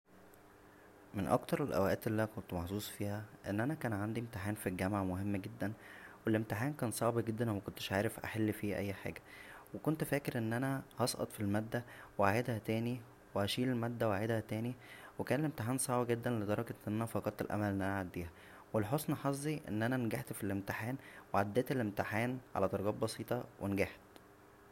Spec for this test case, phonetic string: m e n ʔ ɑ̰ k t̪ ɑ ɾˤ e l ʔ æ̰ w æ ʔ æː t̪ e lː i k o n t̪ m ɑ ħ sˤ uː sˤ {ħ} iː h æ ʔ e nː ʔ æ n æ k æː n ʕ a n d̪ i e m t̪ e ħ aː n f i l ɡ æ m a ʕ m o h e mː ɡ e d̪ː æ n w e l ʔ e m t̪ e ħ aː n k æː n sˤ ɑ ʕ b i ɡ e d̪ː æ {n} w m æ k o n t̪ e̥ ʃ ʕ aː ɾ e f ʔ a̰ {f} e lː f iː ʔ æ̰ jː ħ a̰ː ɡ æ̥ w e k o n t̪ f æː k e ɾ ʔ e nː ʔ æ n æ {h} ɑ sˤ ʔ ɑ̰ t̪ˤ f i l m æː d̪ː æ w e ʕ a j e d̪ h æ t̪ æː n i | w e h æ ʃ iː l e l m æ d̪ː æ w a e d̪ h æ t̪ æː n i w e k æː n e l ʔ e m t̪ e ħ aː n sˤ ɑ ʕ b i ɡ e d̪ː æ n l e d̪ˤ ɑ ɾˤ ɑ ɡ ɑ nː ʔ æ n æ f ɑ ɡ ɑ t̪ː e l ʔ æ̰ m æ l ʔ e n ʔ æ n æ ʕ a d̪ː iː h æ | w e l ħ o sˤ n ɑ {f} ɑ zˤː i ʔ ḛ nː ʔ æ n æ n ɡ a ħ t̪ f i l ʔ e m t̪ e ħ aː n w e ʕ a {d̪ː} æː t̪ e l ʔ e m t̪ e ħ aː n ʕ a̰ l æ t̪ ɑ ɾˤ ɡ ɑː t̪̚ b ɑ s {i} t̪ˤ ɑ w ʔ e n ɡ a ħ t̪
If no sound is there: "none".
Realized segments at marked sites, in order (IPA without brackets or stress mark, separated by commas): f, n, ħ, h, ħ, d̪ː, iː